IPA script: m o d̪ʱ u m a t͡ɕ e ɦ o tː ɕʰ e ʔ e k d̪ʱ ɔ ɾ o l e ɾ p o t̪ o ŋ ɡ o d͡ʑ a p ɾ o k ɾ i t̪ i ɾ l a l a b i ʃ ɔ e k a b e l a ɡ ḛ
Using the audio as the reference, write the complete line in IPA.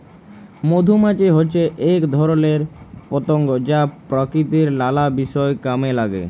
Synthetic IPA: m o d̪ʱ u m a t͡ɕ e ɦ o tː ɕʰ e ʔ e k d̪ʱ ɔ ɾ o l e ɾ p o t̪ o ŋ ɡ o d͡ʑ a p ɾ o k ɾ i t̪ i ɾ l a l a b i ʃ ɔ e k a m e l a ɡ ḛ